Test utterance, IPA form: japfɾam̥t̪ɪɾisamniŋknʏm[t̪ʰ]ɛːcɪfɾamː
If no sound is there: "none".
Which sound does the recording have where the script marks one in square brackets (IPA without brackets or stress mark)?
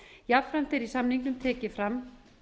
t̪ʰ